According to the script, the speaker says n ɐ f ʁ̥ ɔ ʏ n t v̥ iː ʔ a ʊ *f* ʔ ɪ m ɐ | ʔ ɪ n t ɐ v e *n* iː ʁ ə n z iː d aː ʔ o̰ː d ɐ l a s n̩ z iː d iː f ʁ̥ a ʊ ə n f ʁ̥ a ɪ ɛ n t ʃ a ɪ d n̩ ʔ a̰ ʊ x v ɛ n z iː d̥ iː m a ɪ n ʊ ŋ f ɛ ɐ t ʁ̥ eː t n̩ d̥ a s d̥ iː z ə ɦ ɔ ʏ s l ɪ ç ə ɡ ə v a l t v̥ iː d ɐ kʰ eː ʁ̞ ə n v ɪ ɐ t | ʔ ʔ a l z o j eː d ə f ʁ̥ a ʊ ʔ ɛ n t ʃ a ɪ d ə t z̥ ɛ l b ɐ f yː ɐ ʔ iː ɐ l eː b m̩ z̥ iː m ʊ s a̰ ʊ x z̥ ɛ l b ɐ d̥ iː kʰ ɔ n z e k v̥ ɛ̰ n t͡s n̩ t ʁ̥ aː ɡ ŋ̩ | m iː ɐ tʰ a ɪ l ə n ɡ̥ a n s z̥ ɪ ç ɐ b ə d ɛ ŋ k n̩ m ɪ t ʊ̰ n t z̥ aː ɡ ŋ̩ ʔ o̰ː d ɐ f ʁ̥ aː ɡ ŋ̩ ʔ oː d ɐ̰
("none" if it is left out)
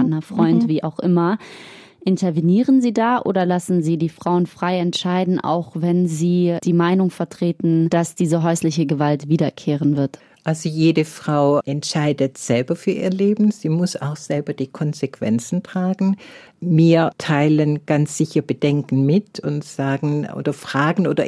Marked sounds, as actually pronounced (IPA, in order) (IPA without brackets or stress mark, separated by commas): x, n